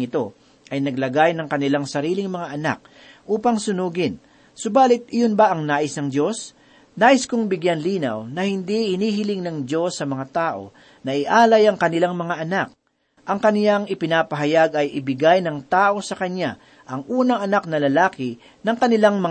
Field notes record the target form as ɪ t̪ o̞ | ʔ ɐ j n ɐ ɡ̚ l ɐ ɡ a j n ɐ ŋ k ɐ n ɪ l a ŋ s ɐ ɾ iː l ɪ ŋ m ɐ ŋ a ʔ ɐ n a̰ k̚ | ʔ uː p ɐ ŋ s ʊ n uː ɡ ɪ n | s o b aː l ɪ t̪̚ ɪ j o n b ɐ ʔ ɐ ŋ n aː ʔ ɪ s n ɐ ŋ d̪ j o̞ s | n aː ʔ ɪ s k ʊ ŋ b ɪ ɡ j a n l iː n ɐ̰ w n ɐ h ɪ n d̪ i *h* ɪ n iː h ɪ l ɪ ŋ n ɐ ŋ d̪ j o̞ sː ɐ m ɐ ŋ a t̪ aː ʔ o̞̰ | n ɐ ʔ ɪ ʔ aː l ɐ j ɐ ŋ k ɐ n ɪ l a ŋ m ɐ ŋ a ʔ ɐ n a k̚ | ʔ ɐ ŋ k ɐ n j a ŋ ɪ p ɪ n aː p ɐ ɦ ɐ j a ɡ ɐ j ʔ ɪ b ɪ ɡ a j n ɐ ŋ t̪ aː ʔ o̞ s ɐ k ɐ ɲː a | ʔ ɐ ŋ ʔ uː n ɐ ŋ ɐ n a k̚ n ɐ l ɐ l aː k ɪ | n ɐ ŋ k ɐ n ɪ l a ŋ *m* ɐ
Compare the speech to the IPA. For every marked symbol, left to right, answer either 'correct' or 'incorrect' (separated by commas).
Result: correct, correct